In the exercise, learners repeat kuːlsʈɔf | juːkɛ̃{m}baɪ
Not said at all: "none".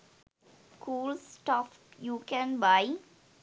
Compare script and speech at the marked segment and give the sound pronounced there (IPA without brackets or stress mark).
n